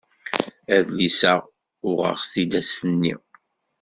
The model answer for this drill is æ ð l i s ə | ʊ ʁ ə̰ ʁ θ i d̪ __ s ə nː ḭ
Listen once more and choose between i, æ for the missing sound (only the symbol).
æ